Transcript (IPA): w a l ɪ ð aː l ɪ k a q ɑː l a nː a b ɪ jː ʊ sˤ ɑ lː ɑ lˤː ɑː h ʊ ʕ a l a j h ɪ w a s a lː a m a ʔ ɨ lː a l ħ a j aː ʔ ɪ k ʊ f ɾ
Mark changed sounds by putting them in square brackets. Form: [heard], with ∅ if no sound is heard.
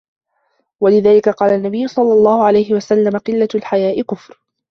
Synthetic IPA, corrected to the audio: w a l ɪ ð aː l ɪ k a q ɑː l a nː a b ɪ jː ʊ sˤ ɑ lː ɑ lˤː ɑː h ʊ ʕ a l a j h ɪ w a s a lː a m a [q] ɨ lː a l ħ a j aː ʔ ɪ k ʊ f ɾ

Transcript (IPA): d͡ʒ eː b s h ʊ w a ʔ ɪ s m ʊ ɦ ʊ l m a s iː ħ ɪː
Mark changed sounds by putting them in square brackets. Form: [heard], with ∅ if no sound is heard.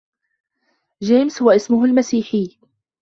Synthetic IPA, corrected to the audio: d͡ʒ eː [m] s h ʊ w a ʔ ɪ s m ʊ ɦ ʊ l m a s iː ħ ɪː

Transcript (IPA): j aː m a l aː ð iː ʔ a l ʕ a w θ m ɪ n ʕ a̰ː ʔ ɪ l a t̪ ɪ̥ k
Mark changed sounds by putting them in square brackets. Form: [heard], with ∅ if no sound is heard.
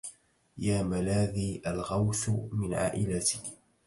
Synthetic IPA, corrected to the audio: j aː m a l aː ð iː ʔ a l [ɣ] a w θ m ɪ n ʕ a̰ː ʔ ɪ l a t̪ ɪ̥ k

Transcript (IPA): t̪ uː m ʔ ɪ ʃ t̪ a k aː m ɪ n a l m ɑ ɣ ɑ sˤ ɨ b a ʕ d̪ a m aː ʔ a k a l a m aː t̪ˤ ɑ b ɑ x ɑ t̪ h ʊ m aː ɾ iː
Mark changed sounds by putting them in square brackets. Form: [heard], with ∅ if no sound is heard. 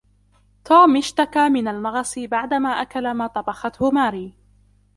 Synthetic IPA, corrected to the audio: t̪ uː m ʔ ɪ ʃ t̪ a k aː m ɪ n a l m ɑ ɣ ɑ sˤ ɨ b a ʕ d̪ a m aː ʔ a k a l a m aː t̪ˤ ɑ b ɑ x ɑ t̪ h ʊ m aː ɾ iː

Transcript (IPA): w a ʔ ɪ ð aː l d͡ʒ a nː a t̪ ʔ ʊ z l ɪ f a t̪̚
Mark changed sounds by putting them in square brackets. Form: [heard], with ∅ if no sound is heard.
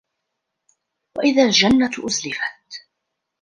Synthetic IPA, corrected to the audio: w a ʔ ɪ ð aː l d͡ʒ a nː a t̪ ʔ ʊ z l ɪ f a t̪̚

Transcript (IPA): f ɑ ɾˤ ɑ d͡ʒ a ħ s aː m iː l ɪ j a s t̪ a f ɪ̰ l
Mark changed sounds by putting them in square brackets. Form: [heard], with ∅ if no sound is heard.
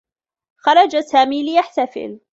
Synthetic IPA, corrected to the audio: [x] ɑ ɾˤ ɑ d͡ʒ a [∅] s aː m iː l ɪ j a [ħ] t̪ a f ɪ̰ l

